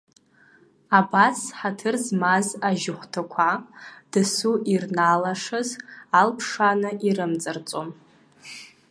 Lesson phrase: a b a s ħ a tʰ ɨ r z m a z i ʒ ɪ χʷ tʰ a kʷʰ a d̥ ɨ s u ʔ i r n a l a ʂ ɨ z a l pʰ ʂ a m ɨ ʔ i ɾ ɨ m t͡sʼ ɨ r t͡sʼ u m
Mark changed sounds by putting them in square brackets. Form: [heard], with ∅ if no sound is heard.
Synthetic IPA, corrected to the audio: a b a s ħ a tʰ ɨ r z m a z [a] ʒ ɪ χʷ tʰ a kʷʰ a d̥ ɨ s u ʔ i r n a l a ʂ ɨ z a l pʰ ʂ a [n] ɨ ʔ i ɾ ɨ m t͡sʼ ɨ r t͡sʼ [o] m